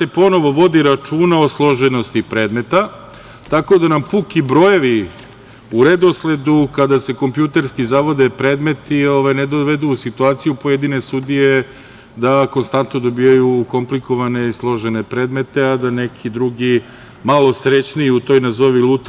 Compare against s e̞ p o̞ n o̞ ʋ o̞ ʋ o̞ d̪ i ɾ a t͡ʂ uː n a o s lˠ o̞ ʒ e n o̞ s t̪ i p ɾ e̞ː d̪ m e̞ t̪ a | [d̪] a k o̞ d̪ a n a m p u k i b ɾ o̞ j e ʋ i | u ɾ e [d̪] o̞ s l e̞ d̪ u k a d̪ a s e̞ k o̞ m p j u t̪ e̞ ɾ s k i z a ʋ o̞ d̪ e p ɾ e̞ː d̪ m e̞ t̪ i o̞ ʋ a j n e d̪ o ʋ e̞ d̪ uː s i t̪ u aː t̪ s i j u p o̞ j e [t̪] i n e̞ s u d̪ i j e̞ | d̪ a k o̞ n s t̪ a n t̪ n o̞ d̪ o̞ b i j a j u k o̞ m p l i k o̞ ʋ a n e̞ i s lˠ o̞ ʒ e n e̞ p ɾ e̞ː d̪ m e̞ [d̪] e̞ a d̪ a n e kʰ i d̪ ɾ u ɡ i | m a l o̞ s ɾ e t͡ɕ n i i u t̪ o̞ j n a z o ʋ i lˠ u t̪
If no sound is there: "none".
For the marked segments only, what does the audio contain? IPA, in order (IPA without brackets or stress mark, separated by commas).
t̪, d̪, d̪, t̪